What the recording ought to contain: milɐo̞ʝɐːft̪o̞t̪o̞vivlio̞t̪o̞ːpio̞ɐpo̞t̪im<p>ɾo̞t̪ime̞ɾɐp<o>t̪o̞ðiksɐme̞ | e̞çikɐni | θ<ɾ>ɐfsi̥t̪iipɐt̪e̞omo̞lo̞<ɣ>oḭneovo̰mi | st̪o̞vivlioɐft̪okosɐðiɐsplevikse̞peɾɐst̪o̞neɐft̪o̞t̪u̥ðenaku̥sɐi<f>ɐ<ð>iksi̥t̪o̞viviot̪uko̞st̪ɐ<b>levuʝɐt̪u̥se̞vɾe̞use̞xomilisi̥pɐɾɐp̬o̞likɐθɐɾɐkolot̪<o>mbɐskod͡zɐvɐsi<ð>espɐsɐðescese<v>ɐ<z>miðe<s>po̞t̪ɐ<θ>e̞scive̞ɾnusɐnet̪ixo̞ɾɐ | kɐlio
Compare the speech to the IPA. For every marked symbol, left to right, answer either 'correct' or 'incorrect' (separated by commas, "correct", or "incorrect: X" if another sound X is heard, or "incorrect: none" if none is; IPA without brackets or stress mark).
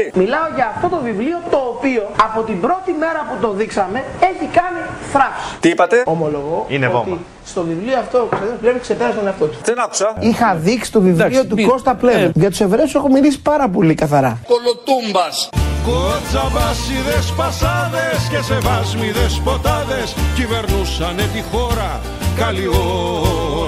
incorrect: b, incorrect: u, correct, correct, incorrect: x, correct, incorrect: p, incorrect: u, correct, correct, correct, correct, incorrect: ð